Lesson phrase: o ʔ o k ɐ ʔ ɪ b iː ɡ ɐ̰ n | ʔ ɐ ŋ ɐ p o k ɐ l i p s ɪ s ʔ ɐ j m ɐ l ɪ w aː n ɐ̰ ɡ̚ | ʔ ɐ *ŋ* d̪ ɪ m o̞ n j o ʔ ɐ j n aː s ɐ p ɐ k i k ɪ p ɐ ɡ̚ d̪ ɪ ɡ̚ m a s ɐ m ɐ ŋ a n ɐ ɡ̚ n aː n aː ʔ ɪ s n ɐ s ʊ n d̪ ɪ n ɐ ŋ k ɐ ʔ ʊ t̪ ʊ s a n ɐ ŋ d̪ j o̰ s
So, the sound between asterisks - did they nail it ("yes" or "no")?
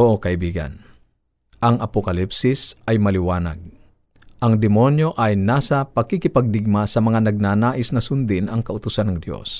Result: yes